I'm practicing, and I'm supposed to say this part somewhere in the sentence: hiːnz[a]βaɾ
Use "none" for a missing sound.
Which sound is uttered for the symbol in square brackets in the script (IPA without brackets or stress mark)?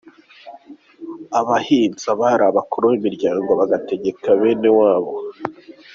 a